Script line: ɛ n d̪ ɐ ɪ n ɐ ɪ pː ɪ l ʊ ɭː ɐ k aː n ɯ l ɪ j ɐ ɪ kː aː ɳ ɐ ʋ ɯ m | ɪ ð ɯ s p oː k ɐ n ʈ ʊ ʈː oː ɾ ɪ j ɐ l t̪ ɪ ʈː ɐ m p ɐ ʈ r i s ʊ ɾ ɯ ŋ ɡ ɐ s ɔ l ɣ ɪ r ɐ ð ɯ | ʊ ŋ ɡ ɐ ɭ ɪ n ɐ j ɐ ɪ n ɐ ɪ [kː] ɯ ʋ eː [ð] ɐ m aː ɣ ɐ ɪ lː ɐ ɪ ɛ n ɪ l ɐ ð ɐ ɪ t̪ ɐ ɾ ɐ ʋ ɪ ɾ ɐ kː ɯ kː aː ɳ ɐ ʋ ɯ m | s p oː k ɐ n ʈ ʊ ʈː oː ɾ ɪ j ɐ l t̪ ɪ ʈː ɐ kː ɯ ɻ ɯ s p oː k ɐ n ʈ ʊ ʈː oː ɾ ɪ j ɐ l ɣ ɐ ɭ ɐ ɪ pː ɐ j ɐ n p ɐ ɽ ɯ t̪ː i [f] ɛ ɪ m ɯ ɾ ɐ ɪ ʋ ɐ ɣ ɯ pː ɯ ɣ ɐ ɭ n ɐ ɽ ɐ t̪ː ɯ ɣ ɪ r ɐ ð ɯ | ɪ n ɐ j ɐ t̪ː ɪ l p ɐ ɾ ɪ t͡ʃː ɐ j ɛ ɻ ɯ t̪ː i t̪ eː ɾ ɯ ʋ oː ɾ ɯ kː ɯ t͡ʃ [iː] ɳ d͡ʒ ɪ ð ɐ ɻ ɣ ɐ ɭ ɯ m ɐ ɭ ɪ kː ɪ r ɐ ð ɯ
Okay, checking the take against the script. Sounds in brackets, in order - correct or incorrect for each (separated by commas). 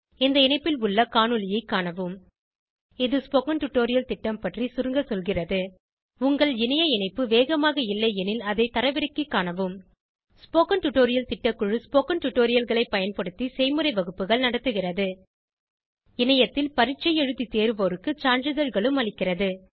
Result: incorrect, incorrect, incorrect, incorrect